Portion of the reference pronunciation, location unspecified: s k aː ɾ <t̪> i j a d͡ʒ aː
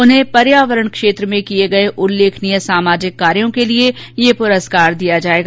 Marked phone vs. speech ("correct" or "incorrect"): incorrect